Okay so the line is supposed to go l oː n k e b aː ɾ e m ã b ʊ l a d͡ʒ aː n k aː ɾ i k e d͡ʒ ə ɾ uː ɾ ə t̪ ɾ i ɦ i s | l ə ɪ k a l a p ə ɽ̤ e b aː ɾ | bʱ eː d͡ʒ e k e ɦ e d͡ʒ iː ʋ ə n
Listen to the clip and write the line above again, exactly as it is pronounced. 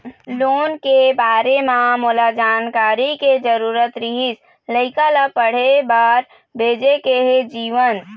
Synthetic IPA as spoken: l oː n k e b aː ɾ e m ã m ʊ l a d͡ʒ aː n k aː ɾ i k e d͡ʒ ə ɾ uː ɾ ə t̪ ɾ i ɦ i s | l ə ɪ k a l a p ə ɽ̤ e b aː ɾ | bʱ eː d͡ʒ e k e ɦ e d͡ʒ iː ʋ ə n